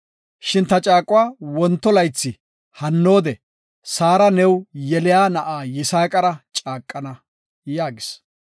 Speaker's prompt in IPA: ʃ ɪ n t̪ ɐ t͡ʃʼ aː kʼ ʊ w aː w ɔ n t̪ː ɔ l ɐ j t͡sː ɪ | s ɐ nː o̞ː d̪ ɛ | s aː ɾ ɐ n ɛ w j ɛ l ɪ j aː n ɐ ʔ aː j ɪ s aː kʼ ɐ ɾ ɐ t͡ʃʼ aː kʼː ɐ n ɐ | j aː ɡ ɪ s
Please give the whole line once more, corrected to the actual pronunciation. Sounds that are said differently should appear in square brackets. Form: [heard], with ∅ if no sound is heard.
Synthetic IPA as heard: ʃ ɪ n t̪ ɐ t͡ʃʼ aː kʼ ʊ w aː w ɔ n t̪ː ɔ l ɐ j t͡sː ɪ | [h] ɐ nː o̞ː d̪ ɛ | s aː ɾ ɐ n ɛ w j ɛ l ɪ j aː n ɐ ʔ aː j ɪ s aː kʼ ɐ ɾ ɐ t͡ʃʼ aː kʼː ɐ n ɐ | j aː ɡ ɪ s